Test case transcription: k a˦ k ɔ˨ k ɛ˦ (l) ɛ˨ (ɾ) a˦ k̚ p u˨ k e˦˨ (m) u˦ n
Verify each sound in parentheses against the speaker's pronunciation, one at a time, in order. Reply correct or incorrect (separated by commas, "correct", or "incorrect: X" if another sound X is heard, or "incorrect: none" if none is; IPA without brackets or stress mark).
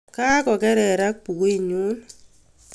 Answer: incorrect: ɾ, correct, incorrect: ɲ